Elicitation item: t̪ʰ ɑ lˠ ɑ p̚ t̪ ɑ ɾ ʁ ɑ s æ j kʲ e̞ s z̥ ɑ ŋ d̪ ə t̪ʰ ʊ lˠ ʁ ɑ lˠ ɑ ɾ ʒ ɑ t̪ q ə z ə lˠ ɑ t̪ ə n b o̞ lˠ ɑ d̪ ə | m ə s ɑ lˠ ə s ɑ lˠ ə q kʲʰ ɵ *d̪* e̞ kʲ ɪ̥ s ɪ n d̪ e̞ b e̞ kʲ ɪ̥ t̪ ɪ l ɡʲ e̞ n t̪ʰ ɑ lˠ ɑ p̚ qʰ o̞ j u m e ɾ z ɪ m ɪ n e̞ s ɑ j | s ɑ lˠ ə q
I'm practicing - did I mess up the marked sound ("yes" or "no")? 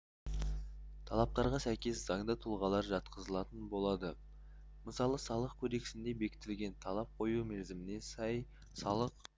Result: no